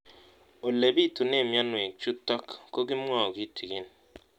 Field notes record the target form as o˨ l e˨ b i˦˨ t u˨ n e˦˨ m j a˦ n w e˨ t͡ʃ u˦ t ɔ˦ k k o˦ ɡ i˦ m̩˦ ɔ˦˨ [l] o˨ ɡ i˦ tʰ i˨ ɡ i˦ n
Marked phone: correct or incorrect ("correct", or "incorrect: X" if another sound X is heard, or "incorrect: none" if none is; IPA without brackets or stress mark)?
incorrect: none